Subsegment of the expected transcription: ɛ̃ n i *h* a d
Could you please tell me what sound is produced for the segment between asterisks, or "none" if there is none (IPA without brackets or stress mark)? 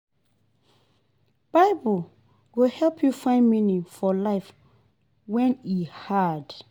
h